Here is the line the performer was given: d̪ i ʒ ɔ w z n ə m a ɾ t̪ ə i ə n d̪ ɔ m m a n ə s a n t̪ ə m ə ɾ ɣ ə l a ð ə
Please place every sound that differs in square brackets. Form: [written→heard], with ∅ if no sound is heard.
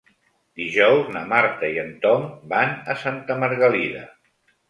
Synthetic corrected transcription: d̪ i ʒ ɔ w z n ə m a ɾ t̪ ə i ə n [d̪→t̪] ɔ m [m→b] a n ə s a n t̪ ə m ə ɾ ɣ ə l [a→i] ð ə